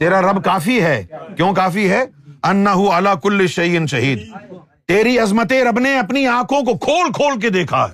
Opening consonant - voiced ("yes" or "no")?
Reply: no